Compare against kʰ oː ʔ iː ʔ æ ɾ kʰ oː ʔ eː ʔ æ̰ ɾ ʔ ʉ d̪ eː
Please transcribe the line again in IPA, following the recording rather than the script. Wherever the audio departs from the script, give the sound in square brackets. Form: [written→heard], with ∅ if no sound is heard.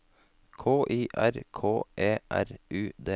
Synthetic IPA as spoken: kʰ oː ʔ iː ʔ æ ɾ kʰ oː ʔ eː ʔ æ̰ ɾ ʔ [ʉ→ʉː] d̪ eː